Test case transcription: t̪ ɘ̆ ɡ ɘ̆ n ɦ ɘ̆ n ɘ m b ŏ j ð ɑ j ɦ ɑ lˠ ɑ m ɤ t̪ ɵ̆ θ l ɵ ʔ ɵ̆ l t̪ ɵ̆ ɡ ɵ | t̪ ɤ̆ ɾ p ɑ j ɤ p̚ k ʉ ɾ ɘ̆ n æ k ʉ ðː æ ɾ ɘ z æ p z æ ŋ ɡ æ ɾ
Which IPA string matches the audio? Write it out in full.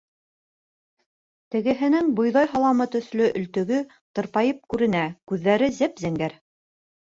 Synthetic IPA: t̪ ɘ̆ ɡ ɘ̆ ɦ ɘ̆ n ɘ ŋ b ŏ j ð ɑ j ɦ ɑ lˠ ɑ m ɤ t̪ ɵ̆ θ l ɵ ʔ ɵ̆ l t̪ ɵ̆ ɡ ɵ | t̪ ɤ̆ ɾ p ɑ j ɤ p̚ k ʉ ɾ ɘ̆ n æ k ʉ ðː æ ɾ ɘ z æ p z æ ŋ ɡ æ ɾ